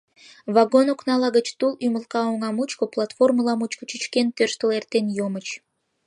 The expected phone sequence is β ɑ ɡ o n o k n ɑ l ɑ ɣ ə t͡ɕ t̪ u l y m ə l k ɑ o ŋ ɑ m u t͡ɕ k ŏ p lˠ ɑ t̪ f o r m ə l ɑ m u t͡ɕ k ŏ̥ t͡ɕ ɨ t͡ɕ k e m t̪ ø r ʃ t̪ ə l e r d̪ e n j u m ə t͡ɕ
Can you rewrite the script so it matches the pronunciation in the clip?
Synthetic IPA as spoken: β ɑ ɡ o n o k n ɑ l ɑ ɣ ə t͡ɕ t̪ u l y m ə l k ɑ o ŋ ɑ m u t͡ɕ k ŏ p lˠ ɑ t̪ f o r m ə l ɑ m u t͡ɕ k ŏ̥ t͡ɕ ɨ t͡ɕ k e n t̪ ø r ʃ t̪ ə l e r t̪ e n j o m ə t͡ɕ